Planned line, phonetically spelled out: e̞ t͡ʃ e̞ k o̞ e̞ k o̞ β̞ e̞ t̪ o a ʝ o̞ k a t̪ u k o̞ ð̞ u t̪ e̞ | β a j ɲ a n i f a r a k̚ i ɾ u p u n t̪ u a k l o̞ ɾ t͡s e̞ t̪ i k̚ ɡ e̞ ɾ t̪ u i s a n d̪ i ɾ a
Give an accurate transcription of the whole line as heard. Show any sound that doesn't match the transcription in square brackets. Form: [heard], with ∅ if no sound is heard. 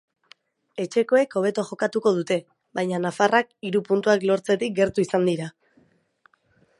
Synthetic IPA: e̞ t͡ʃ e̞ k o̞ e̞ k o̞ β̞ e̞ t̪ o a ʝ o̞ k a t̪ u k o̞ ð̞ u t̪ e̞ | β a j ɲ a n [a] f a r a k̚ i ɾ u p u n t̪ u a k l o̞ ɾ t͡s e̞ t̪ i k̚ ɡ e̞ ɾ t̪ u i s a n d̪ i ɾ a